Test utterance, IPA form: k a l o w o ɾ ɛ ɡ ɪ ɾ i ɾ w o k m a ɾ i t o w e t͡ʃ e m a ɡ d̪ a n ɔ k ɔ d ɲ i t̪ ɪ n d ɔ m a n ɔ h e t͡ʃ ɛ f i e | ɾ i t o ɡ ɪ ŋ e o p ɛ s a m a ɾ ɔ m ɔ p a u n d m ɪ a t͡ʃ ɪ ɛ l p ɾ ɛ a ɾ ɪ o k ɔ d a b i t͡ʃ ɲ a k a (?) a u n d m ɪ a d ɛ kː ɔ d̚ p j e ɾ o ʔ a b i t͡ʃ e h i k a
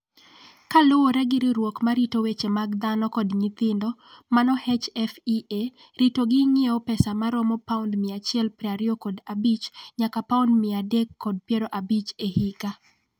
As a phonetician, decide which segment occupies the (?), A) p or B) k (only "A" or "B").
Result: A